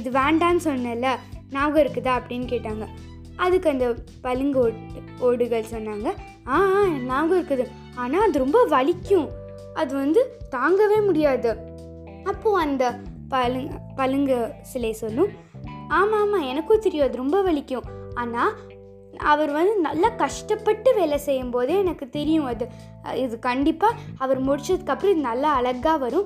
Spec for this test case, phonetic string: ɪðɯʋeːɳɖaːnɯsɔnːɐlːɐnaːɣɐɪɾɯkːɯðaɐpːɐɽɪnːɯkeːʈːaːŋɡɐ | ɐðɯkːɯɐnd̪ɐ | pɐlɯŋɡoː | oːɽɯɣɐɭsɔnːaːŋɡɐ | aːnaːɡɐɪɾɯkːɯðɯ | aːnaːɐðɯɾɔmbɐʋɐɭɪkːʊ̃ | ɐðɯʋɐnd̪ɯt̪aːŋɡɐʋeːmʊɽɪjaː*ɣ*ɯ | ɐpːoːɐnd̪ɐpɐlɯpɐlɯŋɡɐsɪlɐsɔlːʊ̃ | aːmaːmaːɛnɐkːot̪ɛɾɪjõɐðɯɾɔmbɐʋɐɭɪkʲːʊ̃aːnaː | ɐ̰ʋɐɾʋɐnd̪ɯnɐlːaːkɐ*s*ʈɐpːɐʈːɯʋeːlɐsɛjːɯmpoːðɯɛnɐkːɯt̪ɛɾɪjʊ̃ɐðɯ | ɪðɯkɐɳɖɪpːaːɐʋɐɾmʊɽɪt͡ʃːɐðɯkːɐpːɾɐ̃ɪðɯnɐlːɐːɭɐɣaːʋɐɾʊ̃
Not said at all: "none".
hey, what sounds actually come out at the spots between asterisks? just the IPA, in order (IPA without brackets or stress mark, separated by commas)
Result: ð, ʂ